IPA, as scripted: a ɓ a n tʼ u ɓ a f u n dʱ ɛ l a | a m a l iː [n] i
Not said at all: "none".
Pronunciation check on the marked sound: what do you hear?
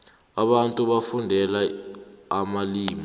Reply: m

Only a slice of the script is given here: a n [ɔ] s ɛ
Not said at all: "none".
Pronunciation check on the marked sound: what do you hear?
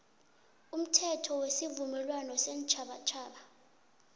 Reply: ɔ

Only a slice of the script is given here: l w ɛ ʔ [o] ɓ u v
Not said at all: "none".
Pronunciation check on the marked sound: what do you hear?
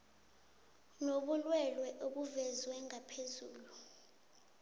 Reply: o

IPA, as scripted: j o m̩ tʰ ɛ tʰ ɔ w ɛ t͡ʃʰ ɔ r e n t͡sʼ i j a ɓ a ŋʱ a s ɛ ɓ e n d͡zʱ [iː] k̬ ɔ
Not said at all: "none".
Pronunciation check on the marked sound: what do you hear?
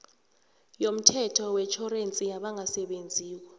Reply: iː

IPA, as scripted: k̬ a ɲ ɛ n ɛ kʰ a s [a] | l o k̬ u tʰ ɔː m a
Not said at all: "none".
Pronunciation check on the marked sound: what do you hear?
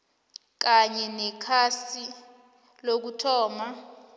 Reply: i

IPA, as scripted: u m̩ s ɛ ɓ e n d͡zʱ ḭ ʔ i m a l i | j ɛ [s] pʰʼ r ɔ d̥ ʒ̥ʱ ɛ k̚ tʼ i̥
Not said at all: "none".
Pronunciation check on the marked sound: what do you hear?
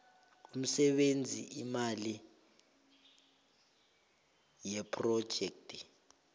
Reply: none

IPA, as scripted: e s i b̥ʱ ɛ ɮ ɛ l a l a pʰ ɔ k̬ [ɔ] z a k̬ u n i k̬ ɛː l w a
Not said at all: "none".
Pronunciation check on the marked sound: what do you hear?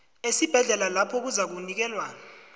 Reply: u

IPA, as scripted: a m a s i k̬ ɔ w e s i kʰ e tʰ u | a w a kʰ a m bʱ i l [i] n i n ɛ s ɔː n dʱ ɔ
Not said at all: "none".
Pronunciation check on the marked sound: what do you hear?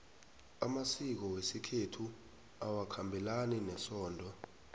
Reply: a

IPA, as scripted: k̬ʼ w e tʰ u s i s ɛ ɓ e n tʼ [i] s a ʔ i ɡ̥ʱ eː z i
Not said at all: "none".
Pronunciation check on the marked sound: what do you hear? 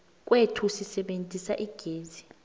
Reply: i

